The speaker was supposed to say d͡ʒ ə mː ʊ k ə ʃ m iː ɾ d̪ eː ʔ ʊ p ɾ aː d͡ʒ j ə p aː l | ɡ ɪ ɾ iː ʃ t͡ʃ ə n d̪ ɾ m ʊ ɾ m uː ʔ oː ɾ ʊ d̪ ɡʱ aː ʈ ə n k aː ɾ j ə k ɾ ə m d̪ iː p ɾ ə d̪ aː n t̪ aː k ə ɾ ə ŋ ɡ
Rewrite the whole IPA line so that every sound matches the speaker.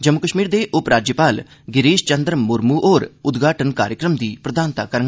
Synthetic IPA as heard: d͡ʒ ə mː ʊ k ə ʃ m iː ɾ d̪ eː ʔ ʊ p ɾ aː d͡ʒ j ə p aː l | ɡ ɪ ɾ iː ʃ t͡ʃ ə n d̪ ɾ m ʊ ɾ m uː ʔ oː ɾ ʊ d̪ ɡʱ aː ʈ ə n k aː ɾ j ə k ɾ ə m d̪ iː p ɾ ə d̪ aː n t̪ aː k ə ɾ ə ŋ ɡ